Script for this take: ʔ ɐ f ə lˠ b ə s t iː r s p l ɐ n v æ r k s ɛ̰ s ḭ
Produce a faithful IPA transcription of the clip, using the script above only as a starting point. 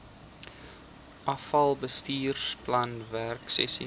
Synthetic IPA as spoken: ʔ ɐ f ɐ lˠ b ə s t iː r s p l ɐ n v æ r k s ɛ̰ s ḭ